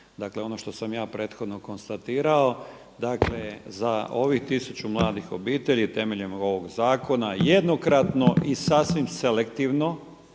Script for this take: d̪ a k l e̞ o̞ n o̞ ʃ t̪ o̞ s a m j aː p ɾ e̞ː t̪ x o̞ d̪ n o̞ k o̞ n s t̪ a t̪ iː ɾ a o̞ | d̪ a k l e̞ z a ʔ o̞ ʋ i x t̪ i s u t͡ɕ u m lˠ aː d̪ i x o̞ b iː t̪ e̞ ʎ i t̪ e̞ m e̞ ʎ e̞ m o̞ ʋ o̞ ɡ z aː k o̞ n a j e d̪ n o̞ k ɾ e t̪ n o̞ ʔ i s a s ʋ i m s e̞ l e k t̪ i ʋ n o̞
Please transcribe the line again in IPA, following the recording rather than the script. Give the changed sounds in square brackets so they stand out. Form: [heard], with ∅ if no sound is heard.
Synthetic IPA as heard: d̪ a k l e̞ o̞ n o̞ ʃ t̪ o̞ s a m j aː p ɾ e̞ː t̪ x o̞ d̪ n o̞ k o̞ n s t̪ a t̪ iː ɾ a o̞ | d̪ a k l e̞ z a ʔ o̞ ʋ i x t̪ i s u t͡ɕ u m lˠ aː d̪ i x o̞ b iː t̪ e̞ ʎ i t̪ e̞ m e̞ ʎ e̞ m o̞ ʋ o̞ ɡ z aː k o̞ n a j e d̪ n o̞ k ɾ [a] t̪ n o̞ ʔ i s a s ʋ i m s e̞ l e k t̪ i ʋ n o̞